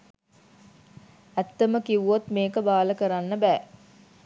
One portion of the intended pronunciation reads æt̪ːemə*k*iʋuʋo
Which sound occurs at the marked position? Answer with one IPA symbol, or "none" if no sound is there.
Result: k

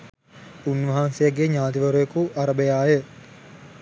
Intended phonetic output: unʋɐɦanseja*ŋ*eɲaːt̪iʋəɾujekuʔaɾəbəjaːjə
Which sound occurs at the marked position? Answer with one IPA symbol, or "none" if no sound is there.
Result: ɡ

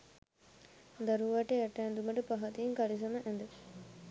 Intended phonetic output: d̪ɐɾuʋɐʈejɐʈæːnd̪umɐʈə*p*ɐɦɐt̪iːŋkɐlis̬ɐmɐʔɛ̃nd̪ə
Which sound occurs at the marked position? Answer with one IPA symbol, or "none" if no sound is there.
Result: p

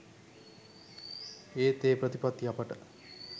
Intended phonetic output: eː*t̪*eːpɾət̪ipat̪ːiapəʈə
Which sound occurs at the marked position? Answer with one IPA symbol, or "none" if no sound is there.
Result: t̪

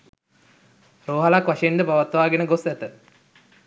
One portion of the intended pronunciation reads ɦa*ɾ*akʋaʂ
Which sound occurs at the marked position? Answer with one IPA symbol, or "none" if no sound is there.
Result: l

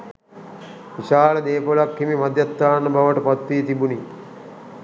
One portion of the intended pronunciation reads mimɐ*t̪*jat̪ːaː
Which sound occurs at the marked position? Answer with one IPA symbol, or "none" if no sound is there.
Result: d̪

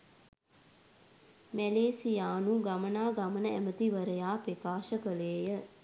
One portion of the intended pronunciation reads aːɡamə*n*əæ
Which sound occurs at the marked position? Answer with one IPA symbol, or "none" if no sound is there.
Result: n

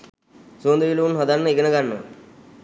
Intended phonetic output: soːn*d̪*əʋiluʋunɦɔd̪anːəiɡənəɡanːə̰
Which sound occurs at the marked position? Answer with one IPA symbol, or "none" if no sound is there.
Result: d̪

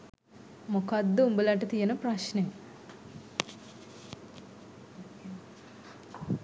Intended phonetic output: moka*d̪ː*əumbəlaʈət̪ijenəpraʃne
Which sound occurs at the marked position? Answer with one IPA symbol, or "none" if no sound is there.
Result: d̪ː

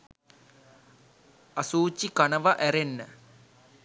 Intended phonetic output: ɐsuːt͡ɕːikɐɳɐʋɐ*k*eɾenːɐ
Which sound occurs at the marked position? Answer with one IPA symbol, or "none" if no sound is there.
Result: ʔ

